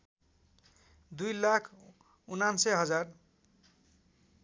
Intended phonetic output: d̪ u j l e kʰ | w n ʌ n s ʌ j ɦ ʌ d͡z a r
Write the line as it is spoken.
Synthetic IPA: d̪ u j l a kʰ | u n a n s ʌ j ɦ ʌ d͡z a r